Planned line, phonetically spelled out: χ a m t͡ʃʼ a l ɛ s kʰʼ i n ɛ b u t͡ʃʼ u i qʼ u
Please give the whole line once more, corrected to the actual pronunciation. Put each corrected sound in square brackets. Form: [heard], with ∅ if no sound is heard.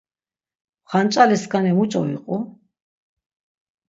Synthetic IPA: χ a [n] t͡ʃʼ a l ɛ s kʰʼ [a] n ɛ [m] u t͡ʃʼ [ɔ] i qʼ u